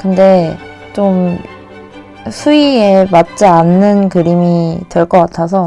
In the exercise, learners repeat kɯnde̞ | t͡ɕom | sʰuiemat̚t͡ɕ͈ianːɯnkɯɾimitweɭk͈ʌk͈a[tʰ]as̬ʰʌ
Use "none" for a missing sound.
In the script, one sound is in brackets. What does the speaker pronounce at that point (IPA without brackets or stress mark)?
tʰ